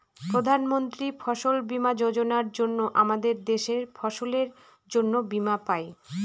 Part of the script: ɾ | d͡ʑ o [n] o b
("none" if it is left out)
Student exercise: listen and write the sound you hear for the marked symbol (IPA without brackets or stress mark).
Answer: nː